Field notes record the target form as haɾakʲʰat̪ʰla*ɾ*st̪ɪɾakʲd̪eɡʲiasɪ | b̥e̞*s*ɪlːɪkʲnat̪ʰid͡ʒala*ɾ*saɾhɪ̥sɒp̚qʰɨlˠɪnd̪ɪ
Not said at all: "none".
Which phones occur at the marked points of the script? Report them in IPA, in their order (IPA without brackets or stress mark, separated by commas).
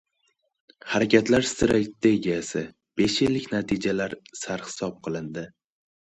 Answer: ɾ, ʃ, ɾ